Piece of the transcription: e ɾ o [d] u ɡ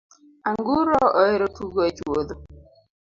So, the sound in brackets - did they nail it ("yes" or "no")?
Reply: no